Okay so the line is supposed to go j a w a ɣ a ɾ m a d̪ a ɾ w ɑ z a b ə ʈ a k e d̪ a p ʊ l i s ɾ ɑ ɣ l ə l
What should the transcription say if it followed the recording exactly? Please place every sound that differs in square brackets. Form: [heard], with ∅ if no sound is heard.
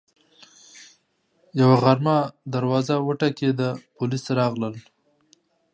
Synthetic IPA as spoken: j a w a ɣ a ɾ m a d̪ a ɾ w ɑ z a [w] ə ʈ a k e d̪ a p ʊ l i s ɾ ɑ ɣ l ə l